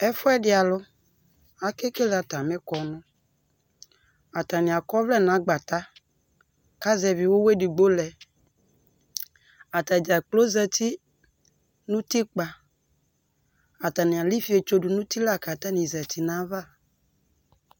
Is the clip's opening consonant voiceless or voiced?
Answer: voiceless